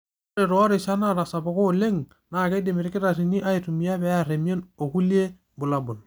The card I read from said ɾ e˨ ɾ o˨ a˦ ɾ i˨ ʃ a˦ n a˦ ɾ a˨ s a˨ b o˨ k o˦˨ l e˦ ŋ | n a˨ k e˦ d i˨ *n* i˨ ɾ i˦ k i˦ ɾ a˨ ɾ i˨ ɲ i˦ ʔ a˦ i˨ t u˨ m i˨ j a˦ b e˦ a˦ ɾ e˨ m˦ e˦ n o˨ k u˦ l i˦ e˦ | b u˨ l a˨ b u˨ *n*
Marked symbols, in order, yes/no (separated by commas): no, yes